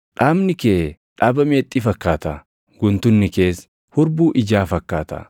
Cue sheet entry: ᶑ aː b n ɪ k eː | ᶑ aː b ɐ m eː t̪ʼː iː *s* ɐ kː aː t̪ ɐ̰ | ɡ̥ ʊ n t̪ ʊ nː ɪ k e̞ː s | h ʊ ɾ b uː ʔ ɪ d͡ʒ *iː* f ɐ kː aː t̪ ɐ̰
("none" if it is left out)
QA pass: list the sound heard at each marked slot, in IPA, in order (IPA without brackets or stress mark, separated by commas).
f, aː